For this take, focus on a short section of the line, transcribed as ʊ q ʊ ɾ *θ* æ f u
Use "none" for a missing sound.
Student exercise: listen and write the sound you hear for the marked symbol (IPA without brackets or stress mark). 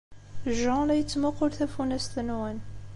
θ